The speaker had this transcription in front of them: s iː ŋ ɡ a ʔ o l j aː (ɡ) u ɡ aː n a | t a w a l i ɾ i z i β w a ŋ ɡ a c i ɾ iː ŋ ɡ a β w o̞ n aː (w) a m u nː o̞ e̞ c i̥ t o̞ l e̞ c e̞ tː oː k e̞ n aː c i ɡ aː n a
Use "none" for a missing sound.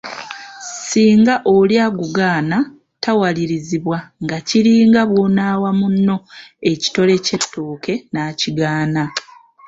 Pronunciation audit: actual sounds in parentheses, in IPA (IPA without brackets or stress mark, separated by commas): ɡ, w